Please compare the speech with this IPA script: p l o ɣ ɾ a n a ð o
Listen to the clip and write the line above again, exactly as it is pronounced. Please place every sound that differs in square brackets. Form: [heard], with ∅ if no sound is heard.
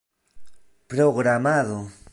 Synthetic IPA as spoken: p [ɾ] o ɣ ɾ a [m] a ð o